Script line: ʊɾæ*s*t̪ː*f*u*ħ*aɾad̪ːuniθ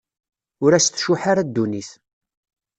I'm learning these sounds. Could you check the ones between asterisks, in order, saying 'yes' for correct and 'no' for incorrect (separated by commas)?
yes, no, yes